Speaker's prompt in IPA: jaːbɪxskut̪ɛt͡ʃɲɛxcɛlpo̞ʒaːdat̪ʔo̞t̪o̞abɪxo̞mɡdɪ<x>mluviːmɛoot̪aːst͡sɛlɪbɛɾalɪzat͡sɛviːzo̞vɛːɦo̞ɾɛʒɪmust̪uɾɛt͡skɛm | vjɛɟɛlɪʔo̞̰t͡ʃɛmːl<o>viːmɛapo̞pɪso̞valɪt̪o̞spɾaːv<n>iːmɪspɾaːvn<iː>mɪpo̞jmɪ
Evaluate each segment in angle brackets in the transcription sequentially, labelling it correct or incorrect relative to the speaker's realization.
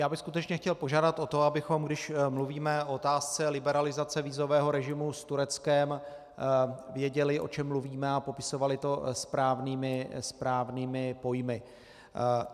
incorrect: ʃ, incorrect: u, correct, correct

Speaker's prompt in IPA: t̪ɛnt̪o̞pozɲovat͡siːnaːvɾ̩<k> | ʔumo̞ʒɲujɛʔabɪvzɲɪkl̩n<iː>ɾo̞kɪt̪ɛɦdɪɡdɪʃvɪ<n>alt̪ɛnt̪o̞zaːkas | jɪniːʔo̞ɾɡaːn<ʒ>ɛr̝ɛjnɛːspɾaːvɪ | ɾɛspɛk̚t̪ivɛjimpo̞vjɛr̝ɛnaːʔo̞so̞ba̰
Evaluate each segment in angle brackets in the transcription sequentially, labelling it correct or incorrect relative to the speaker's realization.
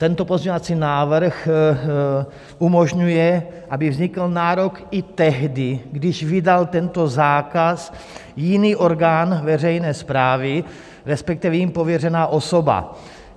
incorrect: x, incorrect: aː, incorrect: d, incorrect: v

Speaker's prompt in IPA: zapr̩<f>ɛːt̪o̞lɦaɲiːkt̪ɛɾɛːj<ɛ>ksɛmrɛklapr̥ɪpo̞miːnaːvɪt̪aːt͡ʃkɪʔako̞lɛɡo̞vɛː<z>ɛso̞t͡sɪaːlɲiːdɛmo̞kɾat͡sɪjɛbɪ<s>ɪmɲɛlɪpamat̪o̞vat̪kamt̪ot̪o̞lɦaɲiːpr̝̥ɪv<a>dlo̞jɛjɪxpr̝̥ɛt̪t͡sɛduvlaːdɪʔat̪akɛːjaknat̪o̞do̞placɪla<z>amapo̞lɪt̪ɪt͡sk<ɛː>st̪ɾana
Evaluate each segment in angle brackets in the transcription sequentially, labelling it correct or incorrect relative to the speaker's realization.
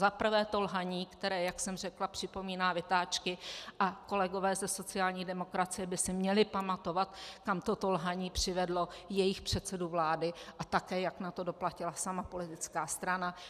incorrect: v, incorrect: a, correct, correct, incorrect: ɛ, incorrect: s, incorrect: aː

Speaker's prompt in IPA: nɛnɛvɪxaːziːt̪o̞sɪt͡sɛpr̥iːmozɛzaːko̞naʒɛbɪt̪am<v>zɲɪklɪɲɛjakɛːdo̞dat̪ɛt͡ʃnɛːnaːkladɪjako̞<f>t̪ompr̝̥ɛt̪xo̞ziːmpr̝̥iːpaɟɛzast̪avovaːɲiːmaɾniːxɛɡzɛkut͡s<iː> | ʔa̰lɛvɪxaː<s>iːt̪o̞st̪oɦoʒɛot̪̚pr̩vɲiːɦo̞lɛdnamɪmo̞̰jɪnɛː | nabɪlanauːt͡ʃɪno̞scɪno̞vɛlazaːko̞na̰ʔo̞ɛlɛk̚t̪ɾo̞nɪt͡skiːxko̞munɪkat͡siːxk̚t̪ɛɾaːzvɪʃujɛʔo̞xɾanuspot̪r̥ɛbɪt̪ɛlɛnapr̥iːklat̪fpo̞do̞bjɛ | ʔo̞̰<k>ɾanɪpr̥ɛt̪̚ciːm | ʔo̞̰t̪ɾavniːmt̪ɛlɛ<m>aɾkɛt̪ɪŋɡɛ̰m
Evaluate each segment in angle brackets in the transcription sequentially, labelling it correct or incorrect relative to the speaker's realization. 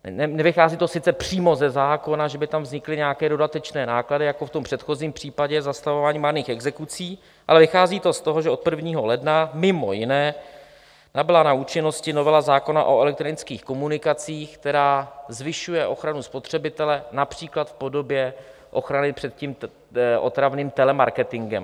correct, correct, correct, incorrect: z, incorrect: x, correct

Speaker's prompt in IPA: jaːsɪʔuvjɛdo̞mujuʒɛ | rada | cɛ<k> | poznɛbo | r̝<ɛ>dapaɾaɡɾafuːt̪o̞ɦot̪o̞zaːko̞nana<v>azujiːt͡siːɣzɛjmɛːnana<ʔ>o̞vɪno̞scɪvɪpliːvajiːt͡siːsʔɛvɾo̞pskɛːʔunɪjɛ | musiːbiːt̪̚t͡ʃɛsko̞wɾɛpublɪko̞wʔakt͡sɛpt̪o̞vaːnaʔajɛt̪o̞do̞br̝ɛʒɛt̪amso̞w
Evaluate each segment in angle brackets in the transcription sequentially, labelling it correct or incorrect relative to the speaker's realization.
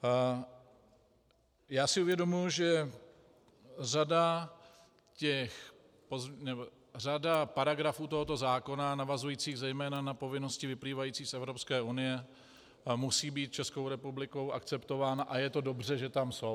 incorrect: x, incorrect: a, correct, incorrect: p

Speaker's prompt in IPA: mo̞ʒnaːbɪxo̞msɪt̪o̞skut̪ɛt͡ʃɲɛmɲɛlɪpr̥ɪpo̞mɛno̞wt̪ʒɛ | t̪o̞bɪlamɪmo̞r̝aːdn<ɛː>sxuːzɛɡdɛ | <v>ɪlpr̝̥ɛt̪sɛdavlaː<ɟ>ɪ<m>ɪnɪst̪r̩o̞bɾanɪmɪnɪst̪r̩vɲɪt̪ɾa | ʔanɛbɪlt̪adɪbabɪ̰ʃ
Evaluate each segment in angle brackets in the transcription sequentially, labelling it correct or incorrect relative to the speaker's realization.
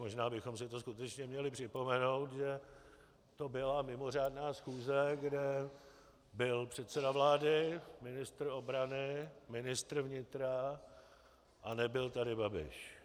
incorrect: aː, incorrect: b, incorrect: d, correct

